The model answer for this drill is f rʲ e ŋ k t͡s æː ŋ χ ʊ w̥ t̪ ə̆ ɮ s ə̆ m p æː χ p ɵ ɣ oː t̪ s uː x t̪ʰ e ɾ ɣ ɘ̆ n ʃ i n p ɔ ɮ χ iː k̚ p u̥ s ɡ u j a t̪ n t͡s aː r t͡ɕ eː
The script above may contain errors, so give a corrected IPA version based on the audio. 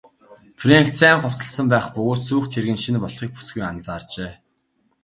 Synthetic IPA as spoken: f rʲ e ŋ k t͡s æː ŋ χ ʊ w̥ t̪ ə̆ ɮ s ə̆ m p æː χ p ɵ ɣ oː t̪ s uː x t̪ʰ e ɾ ɣ ɘ̆ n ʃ i n p ɔ ɮ χ iː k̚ p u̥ s ɡ u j a n t͡s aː r t͡ɕ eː